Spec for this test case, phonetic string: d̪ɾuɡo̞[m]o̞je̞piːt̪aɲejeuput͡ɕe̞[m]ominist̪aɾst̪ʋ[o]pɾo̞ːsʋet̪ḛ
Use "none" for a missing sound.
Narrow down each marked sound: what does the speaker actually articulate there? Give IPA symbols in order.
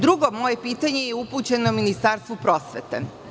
m, n, u

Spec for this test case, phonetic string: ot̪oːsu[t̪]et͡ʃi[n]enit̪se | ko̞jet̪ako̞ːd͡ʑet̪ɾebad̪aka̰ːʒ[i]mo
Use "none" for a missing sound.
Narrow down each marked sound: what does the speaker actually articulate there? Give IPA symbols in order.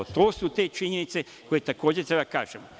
t̪, ɲ, e

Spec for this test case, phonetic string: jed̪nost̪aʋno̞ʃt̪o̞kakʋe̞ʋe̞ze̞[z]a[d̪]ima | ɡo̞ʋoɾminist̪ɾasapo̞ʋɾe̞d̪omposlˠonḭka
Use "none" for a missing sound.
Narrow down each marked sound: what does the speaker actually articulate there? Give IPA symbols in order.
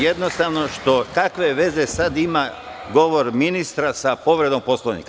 s, d̪

